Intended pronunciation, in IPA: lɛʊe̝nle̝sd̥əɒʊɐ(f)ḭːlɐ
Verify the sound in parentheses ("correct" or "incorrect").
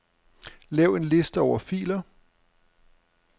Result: correct